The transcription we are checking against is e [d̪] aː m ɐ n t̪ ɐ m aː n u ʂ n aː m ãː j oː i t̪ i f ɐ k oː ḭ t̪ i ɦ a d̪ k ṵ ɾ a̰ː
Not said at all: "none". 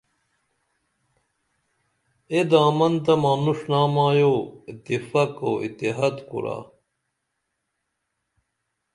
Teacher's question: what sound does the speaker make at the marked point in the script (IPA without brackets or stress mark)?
d̪